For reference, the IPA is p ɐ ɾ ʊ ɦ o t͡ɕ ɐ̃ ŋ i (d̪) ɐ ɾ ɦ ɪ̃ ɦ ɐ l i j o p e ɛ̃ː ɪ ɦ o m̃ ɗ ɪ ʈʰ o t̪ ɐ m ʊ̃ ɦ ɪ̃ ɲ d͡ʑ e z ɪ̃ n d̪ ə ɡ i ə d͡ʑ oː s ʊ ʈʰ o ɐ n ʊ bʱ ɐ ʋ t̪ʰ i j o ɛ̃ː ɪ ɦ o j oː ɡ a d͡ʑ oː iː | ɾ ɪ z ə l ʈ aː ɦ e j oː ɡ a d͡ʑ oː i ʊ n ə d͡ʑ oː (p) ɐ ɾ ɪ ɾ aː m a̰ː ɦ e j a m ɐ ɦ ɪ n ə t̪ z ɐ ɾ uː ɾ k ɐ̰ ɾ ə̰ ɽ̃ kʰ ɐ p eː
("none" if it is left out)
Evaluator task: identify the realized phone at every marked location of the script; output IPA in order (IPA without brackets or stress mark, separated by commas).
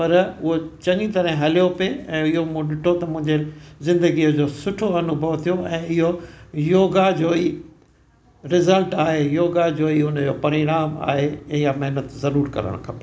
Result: t̪, p